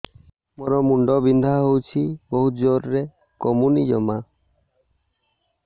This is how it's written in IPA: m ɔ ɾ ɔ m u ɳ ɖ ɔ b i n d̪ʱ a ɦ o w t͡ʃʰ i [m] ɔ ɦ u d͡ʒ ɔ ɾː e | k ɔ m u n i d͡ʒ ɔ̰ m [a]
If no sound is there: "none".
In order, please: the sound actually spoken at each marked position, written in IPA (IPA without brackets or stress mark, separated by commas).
b, a